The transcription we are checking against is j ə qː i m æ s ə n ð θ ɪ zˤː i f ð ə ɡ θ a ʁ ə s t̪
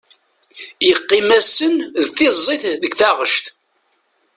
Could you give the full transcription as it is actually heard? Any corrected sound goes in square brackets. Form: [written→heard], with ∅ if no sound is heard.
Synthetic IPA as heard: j ə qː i m æ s ə n ð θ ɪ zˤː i [f→θ] ð ə ɡ θ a ʁ ə [s→ʃ] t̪